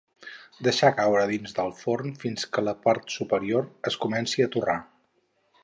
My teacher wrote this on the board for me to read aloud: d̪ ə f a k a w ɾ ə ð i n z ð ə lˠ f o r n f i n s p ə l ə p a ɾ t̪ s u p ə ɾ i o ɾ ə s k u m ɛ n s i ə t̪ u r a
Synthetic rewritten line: d̪ ə ʃ a k a w ɾ ə ð i n z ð ə lˠ f o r n f i n s k ə l ə p a ɾ t̪ s u p ə ɾ i o ɾ ə s k u m ɛ n s i ə t̪ u r a